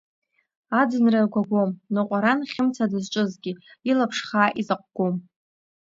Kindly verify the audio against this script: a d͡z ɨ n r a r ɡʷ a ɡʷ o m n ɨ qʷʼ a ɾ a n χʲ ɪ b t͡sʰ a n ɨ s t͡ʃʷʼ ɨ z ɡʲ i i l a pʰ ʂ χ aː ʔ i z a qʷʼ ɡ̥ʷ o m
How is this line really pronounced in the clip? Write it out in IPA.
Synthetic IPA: a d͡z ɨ n r a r ɡʷ a ɡʷ o m n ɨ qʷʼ a ɾ a n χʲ ɪ m t͡sʰ a d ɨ z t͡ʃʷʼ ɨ z ɡʲ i i l a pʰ ʂ χ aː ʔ i z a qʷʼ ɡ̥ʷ o m